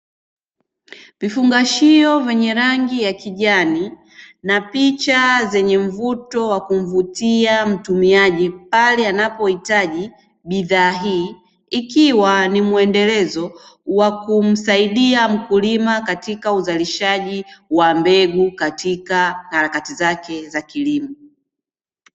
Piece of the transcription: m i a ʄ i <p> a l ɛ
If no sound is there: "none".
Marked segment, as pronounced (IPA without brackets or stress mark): p